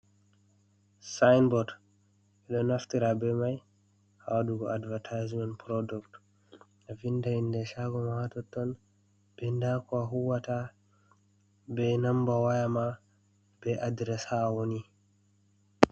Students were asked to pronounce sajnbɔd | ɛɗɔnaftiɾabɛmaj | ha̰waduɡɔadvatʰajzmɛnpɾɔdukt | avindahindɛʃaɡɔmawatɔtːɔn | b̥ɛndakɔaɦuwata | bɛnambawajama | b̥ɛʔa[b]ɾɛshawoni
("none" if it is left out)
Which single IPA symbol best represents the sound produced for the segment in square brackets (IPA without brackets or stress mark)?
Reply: d